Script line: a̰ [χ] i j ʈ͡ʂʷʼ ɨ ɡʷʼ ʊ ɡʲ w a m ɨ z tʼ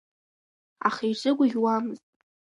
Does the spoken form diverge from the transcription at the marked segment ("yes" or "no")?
no